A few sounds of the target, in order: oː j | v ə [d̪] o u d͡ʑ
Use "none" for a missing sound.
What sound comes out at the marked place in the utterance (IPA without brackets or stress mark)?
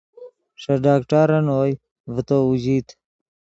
t̪